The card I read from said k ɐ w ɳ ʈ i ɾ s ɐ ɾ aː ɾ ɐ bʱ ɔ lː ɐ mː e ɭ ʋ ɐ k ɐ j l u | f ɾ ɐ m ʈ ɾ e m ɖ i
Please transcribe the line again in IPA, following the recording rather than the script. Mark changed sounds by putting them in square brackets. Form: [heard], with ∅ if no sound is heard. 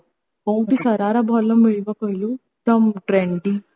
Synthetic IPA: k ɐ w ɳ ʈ i [∅] s ɐ ɾ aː ɾ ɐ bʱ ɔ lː ɐ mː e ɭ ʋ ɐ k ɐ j l u | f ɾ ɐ m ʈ ɾ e [ɳ] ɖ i